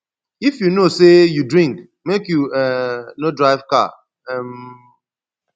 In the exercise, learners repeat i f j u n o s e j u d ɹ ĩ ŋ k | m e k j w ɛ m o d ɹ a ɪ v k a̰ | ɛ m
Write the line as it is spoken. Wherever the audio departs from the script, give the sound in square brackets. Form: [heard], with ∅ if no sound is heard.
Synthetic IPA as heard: i f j u n o s e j u d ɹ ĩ ŋ k | m e k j [u] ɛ [n] o d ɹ a ɪ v k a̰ | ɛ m